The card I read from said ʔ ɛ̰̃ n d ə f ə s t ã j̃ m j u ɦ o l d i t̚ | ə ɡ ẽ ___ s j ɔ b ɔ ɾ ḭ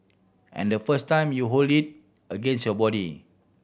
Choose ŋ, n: n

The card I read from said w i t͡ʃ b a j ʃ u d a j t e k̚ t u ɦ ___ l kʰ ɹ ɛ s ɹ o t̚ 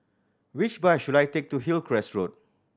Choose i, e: i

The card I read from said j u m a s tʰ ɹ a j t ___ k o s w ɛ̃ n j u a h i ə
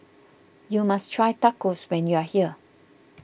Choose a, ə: a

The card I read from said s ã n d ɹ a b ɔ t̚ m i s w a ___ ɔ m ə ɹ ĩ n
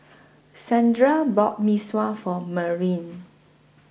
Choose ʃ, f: f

